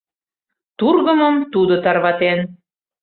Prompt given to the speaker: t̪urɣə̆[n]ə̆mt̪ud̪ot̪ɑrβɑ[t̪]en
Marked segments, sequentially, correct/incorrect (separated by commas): incorrect, correct